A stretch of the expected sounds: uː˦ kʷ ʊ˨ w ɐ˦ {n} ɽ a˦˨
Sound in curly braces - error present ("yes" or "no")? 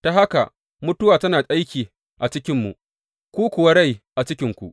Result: yes